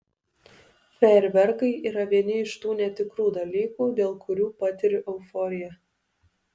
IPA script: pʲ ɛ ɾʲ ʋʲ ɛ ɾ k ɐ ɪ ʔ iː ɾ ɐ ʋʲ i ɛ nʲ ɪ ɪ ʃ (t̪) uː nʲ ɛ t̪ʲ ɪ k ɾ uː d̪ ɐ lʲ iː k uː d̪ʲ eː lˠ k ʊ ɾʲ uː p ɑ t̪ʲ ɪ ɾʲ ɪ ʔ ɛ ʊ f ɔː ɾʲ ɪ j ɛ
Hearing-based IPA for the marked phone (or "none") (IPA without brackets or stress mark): t̪